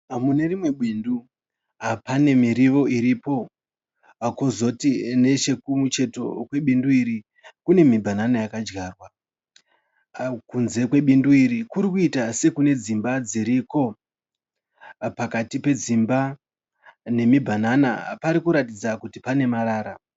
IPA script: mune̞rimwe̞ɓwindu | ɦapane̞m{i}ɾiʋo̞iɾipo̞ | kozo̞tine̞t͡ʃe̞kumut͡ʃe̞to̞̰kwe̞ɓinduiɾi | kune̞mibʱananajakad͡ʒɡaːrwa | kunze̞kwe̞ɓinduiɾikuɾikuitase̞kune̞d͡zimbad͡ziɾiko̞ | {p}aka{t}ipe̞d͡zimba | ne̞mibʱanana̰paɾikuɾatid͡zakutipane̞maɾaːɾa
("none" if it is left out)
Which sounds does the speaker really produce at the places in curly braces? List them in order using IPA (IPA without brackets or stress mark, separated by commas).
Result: i, p, t